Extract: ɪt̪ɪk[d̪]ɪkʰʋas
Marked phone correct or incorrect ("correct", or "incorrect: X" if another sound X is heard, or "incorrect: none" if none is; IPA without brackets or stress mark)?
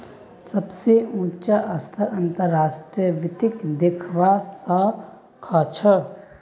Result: correct